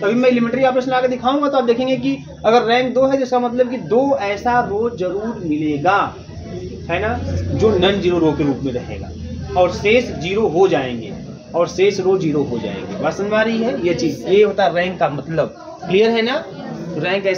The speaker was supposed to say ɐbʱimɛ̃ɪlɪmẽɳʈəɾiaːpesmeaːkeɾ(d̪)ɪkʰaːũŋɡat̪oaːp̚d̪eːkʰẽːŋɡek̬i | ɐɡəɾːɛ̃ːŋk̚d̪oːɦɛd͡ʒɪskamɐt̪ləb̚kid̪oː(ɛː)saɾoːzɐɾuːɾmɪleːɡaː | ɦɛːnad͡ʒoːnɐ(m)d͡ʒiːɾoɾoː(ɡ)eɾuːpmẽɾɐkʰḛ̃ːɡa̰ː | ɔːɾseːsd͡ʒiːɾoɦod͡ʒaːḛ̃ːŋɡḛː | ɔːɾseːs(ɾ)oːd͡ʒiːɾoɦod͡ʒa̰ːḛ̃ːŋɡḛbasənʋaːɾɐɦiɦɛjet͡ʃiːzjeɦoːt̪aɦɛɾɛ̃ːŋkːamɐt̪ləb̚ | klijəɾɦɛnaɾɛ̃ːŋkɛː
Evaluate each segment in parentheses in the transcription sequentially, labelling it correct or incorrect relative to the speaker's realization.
correct, correct, incorrect: n, incorrect: k, correct

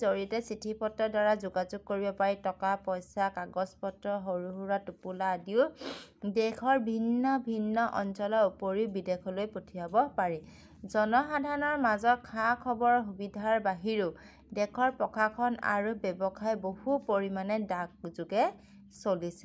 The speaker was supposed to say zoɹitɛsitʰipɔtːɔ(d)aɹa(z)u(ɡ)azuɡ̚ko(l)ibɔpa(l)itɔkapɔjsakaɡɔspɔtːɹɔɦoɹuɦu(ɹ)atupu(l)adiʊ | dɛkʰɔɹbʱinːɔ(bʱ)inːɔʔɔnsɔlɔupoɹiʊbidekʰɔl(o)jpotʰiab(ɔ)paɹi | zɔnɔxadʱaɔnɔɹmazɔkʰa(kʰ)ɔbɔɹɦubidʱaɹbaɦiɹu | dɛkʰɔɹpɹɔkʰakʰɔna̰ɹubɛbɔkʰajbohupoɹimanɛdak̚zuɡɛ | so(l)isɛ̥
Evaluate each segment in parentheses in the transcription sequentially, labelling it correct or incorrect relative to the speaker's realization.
correct, correct, correct, incorrect: ɹ, incorrect: ɹ, correct, correct, correct, correct, correct, correct, correct

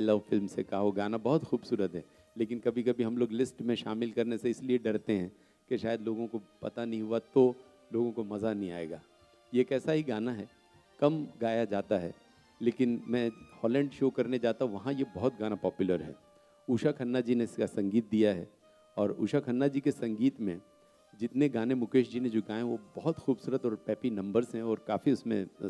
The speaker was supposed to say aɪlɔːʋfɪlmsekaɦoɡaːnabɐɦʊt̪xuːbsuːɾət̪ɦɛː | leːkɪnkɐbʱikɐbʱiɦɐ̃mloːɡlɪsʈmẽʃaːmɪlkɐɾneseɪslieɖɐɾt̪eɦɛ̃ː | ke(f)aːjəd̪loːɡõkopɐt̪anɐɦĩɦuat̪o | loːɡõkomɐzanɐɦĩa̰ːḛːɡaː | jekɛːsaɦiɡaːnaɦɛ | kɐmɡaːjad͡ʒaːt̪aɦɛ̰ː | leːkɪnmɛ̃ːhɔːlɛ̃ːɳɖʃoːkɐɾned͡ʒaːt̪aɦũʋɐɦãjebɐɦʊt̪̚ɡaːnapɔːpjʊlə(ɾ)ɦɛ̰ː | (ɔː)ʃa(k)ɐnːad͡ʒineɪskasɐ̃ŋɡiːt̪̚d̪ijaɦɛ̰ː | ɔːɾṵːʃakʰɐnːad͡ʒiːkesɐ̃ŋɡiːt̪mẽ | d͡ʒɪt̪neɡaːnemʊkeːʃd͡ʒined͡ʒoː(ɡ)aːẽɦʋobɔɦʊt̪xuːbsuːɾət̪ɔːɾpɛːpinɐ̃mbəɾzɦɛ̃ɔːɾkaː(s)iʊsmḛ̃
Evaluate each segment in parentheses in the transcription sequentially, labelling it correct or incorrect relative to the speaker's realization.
incorrect: ʃ, correct, incorrect: uː, incorrect: kʰ, correct, incorrect: f

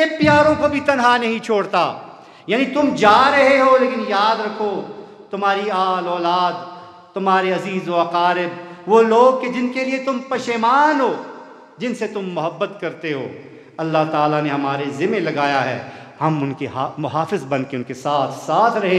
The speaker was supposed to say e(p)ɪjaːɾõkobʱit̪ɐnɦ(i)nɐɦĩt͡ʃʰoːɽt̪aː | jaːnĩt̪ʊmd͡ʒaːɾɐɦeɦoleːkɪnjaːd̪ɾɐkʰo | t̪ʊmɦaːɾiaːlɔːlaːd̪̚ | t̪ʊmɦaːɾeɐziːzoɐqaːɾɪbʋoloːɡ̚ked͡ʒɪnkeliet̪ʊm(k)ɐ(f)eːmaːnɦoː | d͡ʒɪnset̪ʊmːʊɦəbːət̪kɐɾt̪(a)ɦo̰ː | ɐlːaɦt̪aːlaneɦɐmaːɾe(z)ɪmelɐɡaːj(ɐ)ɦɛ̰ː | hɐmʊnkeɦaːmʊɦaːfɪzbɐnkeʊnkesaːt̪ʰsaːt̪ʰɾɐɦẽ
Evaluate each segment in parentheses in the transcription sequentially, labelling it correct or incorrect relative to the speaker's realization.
correct, incorrect: a, incorrect: p, incorrect: ʃ, incorrect: e, correct, incorrect: a

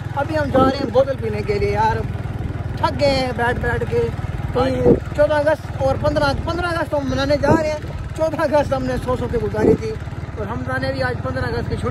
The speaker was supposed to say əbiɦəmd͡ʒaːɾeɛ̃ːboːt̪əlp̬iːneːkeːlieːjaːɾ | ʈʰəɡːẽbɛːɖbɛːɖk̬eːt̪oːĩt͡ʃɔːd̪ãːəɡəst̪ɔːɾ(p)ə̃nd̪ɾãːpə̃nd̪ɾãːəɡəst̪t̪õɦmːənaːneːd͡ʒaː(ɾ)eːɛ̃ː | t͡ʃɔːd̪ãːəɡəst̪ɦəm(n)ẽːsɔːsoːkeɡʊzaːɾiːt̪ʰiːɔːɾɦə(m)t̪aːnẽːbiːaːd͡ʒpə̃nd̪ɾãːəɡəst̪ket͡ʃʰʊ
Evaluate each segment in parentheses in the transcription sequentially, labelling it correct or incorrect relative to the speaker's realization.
correct, correct, correct, correct

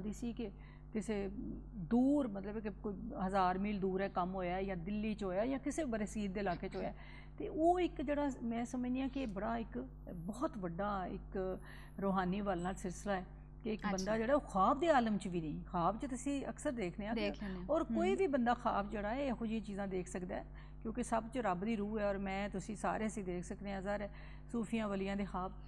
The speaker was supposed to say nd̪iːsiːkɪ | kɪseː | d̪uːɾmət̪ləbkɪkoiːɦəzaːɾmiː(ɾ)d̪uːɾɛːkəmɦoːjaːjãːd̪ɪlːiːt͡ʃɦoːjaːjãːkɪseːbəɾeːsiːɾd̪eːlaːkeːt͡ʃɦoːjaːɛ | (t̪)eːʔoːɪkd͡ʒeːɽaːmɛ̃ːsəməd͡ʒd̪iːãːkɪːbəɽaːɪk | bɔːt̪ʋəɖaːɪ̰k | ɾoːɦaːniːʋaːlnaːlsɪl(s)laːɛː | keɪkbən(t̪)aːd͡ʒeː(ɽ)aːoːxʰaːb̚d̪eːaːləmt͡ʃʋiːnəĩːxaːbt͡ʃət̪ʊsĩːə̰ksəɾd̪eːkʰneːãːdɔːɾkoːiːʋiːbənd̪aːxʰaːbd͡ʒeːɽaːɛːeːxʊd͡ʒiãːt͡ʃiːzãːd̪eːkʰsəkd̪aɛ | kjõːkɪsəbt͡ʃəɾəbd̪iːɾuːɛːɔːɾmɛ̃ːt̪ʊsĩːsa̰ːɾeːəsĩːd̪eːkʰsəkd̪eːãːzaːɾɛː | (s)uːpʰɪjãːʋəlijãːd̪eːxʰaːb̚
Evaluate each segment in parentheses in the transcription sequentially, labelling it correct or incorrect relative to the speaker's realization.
incorrect: l, correct, correct, incorrect: d̪, correct, correct

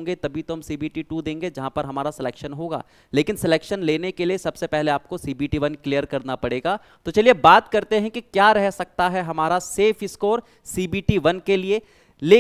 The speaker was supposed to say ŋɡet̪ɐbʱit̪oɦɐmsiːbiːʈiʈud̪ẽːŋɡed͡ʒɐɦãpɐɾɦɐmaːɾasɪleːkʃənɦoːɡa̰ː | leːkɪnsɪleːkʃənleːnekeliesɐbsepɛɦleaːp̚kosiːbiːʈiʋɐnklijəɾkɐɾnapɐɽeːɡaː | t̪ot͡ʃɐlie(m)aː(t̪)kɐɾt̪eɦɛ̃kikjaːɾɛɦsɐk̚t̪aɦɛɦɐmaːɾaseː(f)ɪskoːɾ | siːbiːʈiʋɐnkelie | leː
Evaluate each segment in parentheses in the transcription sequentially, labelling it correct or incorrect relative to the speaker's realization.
incorrect: b, correct, correct

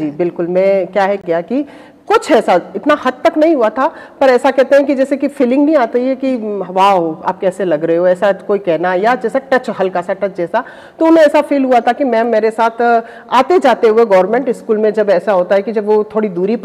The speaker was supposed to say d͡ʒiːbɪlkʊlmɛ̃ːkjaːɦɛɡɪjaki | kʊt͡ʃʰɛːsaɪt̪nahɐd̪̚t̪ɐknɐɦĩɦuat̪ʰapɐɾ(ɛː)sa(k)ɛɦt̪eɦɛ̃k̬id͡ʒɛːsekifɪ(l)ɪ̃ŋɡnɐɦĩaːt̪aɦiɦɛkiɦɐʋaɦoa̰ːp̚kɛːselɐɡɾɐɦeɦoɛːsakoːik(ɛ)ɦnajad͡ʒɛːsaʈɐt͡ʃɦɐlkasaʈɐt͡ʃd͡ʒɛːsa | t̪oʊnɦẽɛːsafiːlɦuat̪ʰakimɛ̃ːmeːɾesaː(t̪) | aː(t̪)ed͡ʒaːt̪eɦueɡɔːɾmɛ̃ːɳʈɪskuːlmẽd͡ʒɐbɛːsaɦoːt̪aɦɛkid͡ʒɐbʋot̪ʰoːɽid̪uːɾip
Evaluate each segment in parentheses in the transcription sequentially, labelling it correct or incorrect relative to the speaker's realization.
correct, correct, correct, correct, incorrect: t̪ʰ, correct

